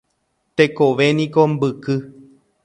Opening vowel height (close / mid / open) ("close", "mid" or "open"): mid